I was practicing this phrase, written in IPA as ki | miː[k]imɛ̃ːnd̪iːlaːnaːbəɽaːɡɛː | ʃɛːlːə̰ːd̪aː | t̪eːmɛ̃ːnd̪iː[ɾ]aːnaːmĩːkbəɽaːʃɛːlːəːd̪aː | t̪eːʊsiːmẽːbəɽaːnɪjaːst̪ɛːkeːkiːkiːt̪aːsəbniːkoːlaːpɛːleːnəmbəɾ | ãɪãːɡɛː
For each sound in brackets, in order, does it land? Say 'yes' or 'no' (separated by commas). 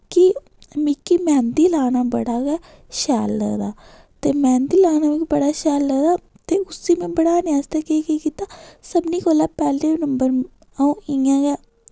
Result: yes, no